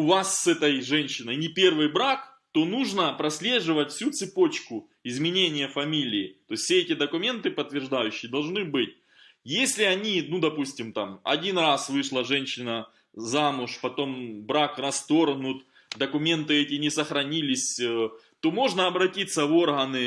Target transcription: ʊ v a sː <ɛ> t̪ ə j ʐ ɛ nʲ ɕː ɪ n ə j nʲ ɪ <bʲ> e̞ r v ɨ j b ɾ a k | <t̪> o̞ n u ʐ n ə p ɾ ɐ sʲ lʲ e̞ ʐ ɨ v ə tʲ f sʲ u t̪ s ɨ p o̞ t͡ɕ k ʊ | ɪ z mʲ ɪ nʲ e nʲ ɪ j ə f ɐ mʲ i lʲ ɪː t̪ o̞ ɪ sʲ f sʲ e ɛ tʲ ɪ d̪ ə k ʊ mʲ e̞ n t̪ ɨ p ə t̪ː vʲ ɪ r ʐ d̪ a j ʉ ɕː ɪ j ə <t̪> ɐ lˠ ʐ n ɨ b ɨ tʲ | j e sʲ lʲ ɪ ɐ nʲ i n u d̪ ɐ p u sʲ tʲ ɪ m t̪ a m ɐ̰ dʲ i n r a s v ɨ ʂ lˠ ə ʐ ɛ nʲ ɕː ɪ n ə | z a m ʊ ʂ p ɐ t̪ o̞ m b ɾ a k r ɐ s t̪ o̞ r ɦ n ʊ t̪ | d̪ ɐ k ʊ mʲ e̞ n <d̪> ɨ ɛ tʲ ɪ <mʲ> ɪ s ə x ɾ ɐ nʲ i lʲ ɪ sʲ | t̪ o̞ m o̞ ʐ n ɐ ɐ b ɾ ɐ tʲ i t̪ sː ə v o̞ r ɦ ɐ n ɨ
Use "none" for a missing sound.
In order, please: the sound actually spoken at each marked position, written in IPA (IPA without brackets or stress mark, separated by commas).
ɛ, pʲ, t̪, d̪, t̪, nʲ